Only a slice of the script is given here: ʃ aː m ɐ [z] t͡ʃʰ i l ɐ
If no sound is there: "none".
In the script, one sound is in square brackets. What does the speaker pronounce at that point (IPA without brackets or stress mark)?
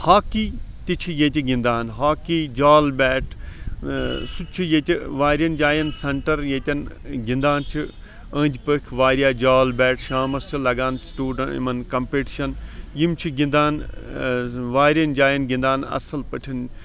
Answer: s